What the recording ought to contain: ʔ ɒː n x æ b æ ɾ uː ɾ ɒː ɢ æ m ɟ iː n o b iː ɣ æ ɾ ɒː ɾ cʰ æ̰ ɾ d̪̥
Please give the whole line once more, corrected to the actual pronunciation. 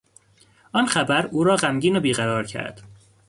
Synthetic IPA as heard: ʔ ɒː n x æ b æ ɾ uː ɾ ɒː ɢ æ m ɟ iː n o b iː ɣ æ ɾ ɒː ɾ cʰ æ̰ ɾ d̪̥